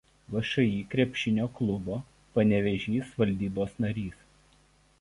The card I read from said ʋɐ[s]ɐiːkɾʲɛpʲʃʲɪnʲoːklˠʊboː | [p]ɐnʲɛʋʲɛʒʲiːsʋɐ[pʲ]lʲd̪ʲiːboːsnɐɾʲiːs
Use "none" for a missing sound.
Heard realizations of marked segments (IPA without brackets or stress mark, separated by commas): ʃ, p, none